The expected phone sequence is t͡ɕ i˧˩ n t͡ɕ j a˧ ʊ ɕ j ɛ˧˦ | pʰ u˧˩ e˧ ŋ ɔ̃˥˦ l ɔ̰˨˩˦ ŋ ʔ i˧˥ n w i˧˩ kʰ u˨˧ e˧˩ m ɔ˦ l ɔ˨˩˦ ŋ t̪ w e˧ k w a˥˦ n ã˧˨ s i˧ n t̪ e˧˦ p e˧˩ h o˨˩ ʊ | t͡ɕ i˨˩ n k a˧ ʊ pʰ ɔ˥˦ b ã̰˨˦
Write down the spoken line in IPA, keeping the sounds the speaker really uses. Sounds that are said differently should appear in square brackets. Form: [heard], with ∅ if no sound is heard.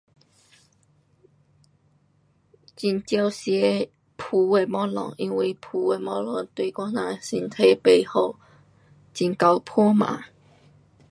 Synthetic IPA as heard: t͡ɕ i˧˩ n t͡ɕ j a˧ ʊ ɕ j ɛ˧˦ | pʰ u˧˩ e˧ [m] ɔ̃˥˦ l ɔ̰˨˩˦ ŋ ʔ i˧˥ n w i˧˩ [pʰ] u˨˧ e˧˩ m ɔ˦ l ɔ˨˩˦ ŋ t̪ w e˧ k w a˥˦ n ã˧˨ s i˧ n [t̪ʰ] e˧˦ p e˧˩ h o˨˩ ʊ | t͡ɕ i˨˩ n k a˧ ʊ pʰ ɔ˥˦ [m] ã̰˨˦